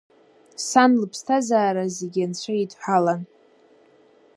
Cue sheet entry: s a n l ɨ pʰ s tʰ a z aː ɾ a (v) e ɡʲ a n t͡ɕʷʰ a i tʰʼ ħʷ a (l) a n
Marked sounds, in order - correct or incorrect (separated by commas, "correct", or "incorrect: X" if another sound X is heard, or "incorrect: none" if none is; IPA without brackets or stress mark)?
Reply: incorrect: z, correct